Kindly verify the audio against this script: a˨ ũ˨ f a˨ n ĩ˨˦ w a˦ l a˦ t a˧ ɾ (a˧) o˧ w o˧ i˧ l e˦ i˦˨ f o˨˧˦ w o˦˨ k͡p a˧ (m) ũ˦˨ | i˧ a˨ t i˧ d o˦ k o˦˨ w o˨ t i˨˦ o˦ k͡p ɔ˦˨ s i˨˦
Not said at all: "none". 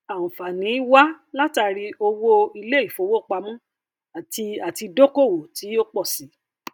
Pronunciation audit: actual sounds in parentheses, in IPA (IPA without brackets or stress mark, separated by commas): i˧, m